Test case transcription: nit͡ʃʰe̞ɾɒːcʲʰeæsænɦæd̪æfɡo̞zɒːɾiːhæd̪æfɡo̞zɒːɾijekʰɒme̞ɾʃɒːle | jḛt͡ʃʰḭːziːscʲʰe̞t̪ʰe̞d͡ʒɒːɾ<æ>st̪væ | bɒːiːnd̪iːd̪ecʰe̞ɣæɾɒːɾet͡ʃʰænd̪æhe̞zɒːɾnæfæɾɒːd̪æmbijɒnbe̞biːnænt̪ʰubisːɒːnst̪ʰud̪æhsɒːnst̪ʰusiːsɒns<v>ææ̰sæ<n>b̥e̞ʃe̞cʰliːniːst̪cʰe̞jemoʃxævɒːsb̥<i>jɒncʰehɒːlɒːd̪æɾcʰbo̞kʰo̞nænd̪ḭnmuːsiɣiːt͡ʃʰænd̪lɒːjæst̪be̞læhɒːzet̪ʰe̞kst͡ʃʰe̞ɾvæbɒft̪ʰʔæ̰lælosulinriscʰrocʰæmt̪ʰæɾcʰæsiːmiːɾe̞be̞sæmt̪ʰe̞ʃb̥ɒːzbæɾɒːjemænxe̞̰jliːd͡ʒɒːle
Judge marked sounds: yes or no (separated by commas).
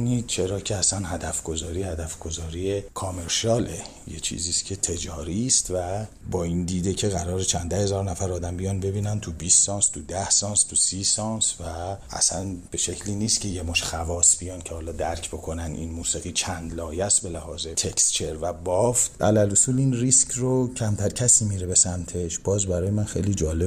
no, yes, yes, yes